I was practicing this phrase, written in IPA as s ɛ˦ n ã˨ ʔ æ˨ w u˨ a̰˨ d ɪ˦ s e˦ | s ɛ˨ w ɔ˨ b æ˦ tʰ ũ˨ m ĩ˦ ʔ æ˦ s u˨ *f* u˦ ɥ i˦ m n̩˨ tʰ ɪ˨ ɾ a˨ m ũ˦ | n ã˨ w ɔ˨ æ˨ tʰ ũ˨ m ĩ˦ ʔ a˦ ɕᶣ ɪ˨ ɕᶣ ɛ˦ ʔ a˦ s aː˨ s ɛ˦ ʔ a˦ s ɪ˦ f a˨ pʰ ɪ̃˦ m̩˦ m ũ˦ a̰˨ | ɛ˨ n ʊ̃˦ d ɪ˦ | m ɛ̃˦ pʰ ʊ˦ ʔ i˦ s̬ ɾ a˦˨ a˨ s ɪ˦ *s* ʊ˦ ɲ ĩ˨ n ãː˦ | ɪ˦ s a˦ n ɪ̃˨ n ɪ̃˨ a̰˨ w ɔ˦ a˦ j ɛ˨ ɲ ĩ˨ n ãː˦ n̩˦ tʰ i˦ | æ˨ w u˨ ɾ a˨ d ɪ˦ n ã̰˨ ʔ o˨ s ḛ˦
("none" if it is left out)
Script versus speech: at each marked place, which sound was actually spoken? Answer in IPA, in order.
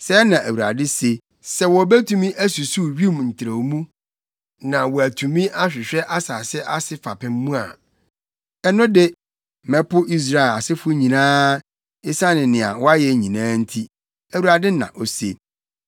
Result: s, f

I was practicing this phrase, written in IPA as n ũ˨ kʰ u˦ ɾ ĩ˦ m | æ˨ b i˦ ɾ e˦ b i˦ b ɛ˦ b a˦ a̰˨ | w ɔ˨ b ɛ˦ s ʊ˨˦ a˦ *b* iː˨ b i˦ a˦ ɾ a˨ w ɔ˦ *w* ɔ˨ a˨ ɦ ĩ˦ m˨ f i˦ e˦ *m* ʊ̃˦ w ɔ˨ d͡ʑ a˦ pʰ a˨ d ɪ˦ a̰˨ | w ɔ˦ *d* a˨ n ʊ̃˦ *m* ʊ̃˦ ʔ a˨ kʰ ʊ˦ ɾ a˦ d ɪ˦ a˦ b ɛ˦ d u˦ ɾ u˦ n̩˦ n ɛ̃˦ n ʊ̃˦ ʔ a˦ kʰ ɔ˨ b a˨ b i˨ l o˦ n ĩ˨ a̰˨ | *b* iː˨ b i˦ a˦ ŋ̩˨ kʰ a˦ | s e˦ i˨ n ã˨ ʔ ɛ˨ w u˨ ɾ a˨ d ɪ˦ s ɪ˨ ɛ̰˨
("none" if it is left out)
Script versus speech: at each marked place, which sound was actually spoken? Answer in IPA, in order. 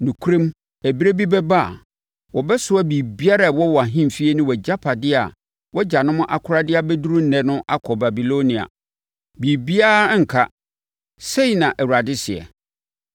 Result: b, w, n, d͡ʑ, m, b

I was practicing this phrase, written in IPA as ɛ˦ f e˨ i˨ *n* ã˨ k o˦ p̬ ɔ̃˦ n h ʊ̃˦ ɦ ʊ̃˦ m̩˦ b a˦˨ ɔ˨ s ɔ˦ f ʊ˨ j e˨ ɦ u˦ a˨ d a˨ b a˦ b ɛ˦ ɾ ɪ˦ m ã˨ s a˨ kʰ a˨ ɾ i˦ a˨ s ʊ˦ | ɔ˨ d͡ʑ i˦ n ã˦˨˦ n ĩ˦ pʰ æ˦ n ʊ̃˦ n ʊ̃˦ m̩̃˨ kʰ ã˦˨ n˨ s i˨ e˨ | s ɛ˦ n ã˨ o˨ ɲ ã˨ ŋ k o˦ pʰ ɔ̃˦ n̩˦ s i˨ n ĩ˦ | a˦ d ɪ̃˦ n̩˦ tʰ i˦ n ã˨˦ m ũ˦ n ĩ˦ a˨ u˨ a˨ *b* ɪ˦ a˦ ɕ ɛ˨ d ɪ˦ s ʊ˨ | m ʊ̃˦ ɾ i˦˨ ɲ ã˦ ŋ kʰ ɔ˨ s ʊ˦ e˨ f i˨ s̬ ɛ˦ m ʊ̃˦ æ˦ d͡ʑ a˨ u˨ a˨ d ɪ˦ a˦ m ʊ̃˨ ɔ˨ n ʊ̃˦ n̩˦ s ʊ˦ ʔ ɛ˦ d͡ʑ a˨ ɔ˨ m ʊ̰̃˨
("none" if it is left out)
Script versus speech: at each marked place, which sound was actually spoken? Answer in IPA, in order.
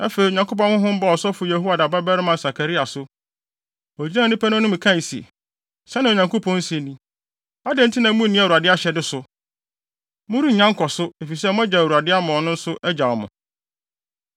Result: ɲ, d

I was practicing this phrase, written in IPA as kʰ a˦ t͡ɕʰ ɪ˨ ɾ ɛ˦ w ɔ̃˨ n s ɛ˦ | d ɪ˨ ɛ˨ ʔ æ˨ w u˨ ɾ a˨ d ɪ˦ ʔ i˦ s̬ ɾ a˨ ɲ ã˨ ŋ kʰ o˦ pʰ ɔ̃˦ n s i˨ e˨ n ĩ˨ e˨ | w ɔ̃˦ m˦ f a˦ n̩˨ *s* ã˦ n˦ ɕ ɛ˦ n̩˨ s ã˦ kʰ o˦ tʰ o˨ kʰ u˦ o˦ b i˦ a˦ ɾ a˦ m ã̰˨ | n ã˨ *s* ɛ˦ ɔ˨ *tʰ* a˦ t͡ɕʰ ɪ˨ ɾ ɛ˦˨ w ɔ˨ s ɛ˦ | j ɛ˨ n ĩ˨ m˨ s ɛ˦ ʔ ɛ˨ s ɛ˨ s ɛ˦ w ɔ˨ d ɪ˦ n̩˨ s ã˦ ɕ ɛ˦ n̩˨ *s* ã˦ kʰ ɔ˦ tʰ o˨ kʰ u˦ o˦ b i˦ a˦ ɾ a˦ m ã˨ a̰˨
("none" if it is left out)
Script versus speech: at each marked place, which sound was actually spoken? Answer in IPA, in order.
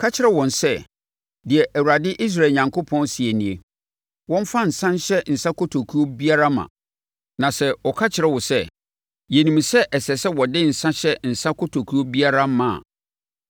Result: s, s, kʰ, s

